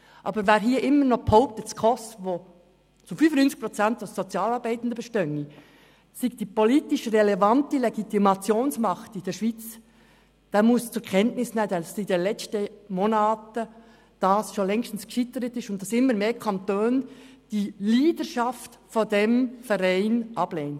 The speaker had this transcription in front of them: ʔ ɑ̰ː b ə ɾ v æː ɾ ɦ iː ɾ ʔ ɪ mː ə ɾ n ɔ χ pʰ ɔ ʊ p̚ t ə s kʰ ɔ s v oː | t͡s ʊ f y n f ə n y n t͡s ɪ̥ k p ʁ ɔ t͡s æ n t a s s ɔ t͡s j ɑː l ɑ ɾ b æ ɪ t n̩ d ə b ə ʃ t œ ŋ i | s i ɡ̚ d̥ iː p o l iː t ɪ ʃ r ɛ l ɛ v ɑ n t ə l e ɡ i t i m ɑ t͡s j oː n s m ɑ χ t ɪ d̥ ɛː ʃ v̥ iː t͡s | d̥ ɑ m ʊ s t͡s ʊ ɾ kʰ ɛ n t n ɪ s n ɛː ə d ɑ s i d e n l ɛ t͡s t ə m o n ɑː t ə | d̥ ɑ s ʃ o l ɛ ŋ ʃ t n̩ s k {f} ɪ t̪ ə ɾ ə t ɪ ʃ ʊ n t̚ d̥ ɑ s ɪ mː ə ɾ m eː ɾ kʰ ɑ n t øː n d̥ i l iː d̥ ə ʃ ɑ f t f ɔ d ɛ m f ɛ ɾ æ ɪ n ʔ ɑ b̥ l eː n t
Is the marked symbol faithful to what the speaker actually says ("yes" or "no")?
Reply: no